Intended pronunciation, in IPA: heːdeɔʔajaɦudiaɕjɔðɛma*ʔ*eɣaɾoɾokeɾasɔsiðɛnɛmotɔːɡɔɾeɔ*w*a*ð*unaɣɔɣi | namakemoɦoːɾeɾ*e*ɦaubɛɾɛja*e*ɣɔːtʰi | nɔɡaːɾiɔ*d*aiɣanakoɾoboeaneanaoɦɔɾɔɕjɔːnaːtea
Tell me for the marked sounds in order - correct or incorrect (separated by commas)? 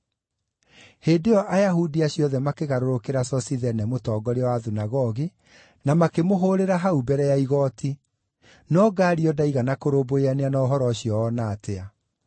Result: incorrect, correct, correct, incorrect, incorrect, correct